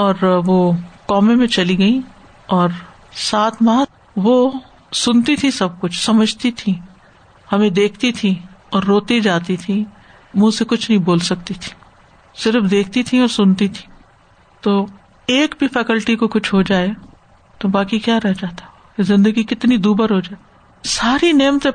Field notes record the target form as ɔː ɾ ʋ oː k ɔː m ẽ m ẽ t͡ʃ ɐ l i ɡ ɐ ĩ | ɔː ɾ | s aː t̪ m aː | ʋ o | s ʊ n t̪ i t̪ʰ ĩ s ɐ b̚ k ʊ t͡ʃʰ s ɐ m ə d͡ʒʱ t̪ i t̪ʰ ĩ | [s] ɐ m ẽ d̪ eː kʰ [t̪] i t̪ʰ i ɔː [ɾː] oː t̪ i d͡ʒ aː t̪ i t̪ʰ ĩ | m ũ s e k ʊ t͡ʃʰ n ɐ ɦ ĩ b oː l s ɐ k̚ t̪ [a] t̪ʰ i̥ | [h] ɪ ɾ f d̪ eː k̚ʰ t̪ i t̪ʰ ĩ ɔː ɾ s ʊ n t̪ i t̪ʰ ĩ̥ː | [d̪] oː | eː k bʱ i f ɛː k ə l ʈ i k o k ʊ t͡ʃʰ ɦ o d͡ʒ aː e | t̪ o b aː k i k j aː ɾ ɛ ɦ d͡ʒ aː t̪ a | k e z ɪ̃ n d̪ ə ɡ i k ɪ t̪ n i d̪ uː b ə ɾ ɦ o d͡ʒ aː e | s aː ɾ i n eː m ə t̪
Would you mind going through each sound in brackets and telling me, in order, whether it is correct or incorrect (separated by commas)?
incorrect, correct, correct, incorrect, incorrect, incorrect